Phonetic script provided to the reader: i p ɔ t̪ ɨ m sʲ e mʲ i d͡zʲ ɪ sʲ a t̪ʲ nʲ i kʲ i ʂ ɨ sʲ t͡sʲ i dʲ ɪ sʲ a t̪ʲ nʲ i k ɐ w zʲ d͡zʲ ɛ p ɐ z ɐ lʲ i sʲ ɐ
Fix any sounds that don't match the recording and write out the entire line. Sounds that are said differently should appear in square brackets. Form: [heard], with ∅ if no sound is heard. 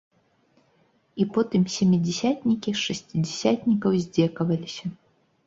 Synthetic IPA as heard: i p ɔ t̪ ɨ m sʲ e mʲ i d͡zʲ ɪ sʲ a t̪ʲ nʲ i kʲ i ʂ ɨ sʲ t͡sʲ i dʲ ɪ sʲ a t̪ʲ nʲ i k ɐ w zʲ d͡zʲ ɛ [k] ɐ [v] ɐ lʲ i sʲ ɐ